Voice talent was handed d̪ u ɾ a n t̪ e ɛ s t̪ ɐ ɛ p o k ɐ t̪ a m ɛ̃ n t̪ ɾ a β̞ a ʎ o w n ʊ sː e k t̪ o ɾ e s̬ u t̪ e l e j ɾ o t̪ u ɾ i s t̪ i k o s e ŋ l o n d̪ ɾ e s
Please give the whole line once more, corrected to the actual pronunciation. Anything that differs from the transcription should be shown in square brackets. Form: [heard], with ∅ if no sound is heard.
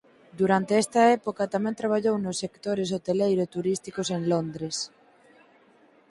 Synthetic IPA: d̪ u ɾ a n t̪ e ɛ s t̪ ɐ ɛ p o k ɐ t̪ a m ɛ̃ n t̪ ɾ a β̞ a ʎ o w n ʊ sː e k t̪ o ɾ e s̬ [o] t̪ e l e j ɾ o t̪ u ɾ i s t̪ i k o s e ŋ l o n d̪ ɾ e s